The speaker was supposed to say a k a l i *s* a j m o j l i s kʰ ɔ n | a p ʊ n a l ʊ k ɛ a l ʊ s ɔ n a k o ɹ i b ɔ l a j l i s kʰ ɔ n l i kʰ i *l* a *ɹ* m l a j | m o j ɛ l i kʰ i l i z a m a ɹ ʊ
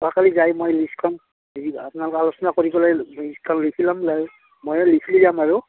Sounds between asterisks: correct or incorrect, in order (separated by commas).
incorrect, correct, incorrect